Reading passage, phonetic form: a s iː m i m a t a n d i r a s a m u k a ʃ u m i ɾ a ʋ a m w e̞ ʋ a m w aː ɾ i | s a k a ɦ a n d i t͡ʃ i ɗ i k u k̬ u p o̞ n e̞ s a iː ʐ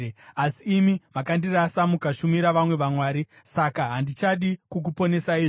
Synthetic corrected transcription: a s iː m i m a k a n d i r a s a m u k a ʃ u m i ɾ a ʋ a m w e̞ ʋ a m w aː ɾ i | s a k a ɦ a n d i t͡ʃ a ɗ i k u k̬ u p o̞ n e̞ s a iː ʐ